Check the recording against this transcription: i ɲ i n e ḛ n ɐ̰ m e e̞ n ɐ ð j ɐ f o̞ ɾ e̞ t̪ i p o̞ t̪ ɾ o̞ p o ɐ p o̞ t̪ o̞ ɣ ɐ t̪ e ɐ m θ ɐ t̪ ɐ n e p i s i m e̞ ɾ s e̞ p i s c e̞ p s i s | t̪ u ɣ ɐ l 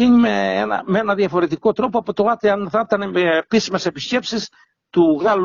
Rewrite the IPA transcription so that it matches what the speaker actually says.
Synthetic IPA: i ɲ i m e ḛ n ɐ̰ m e e̞ n ɐ ð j ɐ f o̞ ɾ e̞ t̪ i k o̞ t̪ ɾ o̞ p o ɐ p o̞ t̪ o̞ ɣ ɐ t̪ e ɐ n θ ɐ t̪ ɐ n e p i s i m e̞ s e̞ p i s c e̞ p s i s | t̪ u ɣ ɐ l